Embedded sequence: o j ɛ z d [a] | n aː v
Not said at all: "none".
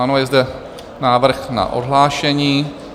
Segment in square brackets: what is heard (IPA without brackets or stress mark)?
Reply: ɛ